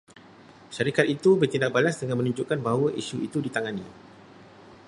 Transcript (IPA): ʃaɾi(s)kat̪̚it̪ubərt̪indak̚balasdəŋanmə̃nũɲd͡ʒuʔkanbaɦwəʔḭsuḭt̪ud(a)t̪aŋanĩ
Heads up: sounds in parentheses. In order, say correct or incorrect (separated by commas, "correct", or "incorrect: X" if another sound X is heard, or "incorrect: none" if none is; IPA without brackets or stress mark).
incorrect: none, incorrect: i